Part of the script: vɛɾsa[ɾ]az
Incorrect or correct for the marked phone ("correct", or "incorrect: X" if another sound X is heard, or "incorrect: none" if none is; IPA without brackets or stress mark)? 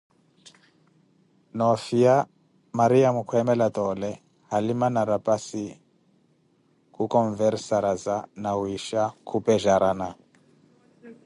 correct